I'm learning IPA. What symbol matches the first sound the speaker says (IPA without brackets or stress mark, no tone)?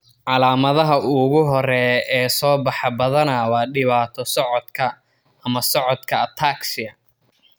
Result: ʕ